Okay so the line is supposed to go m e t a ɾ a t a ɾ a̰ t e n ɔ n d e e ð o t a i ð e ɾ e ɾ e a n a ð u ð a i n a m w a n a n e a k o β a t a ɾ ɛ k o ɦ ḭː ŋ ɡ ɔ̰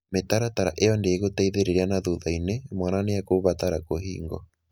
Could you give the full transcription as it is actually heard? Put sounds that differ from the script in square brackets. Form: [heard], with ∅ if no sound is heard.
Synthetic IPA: m e t a ɾ a t a ɾ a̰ [ʔ] e [∅] ɔ n d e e [ɣ] o t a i ð e ɾ e ɾ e a n a ð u ð a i n [e] m w a n a n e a k o β a t a ɾ [a] k o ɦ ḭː ŋ ɡ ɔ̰

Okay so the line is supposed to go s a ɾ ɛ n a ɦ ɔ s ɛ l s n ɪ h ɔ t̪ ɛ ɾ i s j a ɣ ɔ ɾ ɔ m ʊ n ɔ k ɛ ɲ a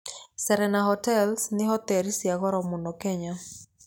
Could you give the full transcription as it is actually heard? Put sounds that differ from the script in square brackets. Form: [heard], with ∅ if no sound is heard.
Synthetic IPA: s [ɛ] ɾ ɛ n a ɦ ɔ [t] ɛ l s n ɪ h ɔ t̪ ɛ ɾ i s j a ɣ ɔ ɾ ɔ m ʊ n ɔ k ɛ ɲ a

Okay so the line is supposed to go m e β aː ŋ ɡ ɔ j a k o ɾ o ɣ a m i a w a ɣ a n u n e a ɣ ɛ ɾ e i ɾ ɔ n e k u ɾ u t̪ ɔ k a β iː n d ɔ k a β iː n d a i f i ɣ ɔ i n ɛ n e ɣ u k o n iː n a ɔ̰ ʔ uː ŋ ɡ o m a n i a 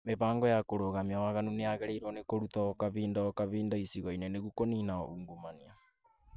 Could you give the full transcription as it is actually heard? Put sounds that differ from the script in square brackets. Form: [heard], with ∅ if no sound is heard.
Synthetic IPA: m e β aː ŋ ɡ ɔ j a k o ɾ o ɣ a m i a w a ɣ a n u n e a ɣ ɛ ɾ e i ɾ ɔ n e k [o] ɾ u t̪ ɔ k a β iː n d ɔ k a β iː n d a i [s] i ɣ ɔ i n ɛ n e ɣ u k o n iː n a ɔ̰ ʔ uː ŋ ɡ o m a n i a

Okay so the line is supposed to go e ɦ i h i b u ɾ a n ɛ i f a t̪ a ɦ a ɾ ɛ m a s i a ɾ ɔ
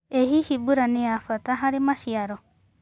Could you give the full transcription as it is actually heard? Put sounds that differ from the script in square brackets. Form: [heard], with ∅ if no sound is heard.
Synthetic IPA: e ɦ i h i b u ɾ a n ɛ [a] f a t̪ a ɦ a ɾ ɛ m a s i a ɾ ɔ

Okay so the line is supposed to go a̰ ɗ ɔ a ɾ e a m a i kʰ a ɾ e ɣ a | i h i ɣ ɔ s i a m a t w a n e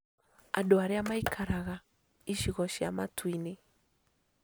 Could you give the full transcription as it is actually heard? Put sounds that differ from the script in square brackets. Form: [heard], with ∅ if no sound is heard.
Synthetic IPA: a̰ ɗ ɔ a ɾ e a m a i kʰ a ɾ [a] ɣ a | i [ʃ] i ɣ ɔ [ʃ] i a m a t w [i] n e

